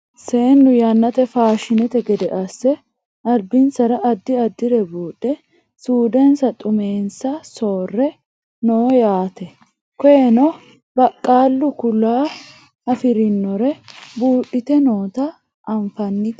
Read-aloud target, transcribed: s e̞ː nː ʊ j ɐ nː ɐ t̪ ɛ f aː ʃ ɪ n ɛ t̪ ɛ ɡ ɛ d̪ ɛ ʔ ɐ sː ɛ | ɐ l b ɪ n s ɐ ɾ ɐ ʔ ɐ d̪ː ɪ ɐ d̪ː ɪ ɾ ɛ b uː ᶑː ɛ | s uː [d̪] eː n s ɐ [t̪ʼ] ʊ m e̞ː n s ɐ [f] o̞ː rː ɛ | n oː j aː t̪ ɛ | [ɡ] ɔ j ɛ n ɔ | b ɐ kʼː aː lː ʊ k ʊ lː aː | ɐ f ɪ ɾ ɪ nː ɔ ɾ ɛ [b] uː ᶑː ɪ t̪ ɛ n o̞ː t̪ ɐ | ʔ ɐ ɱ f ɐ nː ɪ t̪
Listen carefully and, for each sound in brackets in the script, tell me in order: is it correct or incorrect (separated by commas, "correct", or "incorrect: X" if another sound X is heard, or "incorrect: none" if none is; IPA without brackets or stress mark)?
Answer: correct, correct, incorrect: s, incorrect: k, correct